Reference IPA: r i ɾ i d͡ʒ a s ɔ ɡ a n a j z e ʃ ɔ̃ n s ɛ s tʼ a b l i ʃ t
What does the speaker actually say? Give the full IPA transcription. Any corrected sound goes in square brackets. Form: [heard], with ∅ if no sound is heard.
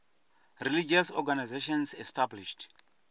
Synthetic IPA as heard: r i [l] i d͡ʒ a s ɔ ɡ a n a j z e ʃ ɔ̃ n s ɛ s [t] a b l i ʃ t